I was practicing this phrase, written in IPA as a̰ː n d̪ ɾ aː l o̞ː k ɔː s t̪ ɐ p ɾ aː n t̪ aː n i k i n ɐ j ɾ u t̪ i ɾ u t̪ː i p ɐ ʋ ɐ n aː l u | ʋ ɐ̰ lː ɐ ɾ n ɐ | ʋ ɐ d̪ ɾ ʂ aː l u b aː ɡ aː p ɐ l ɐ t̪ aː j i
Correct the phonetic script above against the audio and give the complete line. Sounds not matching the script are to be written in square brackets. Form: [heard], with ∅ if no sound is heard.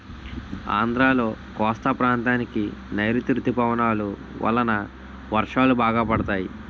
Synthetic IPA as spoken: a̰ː n d̪ ɾ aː l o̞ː k ɔː s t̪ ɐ p ɾ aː n t̪ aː n i k i n ɐ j ɾ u t̪ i ɾ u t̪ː i p ɐ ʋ ɐ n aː l u | ʋ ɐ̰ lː ɐ [∅] n ɐ | ʋ ɐ [∅] ɾ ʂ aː l u b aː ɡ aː p ɐ [ɽ] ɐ t̪ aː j i